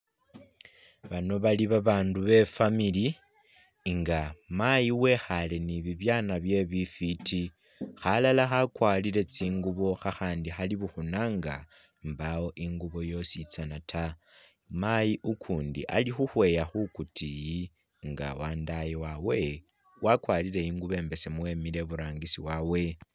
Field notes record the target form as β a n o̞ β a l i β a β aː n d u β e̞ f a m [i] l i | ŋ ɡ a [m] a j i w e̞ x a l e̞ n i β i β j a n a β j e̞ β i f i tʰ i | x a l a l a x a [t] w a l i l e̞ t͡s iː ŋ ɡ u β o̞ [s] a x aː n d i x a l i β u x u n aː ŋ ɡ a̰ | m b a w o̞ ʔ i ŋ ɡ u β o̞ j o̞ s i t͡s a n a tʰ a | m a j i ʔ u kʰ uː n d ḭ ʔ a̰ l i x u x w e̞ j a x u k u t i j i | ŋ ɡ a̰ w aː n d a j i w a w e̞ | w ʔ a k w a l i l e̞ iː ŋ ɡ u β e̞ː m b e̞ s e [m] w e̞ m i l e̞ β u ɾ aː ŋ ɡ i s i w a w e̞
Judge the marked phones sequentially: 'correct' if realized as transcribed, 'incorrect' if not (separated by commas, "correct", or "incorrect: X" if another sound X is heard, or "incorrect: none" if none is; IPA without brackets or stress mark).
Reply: correct, correct, incorrect: k, incorrect: x, correct